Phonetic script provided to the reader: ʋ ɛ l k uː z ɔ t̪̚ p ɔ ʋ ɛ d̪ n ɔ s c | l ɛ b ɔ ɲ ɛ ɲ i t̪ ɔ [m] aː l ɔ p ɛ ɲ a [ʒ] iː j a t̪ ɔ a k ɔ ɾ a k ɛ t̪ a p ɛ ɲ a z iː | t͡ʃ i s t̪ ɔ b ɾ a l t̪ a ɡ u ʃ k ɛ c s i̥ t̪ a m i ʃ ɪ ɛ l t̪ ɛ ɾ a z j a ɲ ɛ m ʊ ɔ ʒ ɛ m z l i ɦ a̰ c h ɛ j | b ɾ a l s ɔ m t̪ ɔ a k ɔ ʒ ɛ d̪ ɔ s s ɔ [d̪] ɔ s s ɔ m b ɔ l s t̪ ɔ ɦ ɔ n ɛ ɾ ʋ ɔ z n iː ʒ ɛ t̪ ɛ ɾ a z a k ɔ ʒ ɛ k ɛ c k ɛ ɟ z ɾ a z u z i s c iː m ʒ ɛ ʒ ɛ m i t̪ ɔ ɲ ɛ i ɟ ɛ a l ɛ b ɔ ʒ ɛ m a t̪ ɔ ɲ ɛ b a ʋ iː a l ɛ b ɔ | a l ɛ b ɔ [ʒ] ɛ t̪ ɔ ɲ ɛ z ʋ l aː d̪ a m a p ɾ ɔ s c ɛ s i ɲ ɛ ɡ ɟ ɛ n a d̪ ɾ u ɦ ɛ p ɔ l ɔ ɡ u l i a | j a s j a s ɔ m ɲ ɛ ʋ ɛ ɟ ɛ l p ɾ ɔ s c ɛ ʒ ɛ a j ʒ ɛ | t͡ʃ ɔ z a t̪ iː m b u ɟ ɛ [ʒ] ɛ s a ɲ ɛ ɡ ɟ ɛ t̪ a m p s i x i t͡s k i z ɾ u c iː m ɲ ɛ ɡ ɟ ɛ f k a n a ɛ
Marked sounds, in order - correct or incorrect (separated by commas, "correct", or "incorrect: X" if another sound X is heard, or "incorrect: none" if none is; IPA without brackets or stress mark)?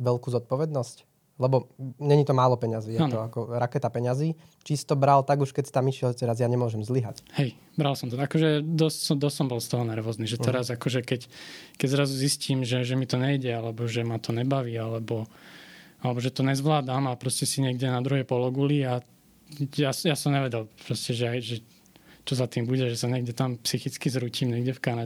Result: correct, incorrect: z, correct, correct, correct